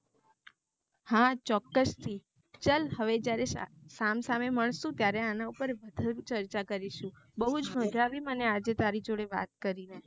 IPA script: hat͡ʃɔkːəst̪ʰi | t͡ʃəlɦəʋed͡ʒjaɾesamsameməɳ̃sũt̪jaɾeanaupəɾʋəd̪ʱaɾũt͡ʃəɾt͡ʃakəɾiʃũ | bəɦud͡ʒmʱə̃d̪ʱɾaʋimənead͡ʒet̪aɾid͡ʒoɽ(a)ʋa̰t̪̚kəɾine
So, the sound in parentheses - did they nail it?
no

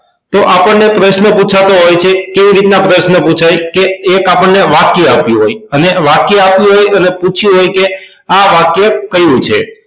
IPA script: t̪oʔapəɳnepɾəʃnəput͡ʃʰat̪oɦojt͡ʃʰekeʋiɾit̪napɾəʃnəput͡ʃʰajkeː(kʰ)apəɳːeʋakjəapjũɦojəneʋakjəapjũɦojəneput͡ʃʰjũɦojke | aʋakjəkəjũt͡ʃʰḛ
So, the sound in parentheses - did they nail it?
no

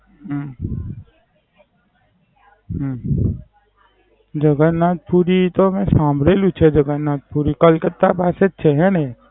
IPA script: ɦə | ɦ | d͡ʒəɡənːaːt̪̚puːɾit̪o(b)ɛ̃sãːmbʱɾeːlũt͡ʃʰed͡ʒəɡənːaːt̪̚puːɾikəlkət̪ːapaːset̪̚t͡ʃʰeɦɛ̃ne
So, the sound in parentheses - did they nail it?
no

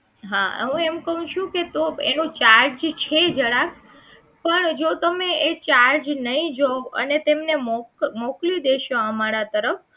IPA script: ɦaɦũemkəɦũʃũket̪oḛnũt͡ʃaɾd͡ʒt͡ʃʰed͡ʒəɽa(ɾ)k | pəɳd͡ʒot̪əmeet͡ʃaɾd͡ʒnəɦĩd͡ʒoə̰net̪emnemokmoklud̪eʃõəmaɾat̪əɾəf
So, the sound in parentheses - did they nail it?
no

